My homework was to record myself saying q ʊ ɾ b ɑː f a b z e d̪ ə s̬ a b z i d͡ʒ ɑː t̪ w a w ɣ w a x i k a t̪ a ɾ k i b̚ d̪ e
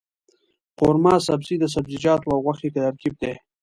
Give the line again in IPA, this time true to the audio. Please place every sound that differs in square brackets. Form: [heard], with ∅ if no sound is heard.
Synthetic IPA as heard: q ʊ ɾ [m] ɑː [s] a b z [i] d̪ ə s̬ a b z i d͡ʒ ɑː t̪ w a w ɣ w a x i k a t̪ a ɾ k i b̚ d̪ e